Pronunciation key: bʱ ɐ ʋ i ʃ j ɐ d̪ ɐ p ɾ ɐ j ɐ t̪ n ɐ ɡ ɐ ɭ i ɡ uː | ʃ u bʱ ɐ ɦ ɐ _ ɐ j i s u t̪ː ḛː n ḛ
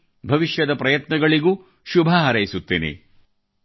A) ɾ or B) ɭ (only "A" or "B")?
A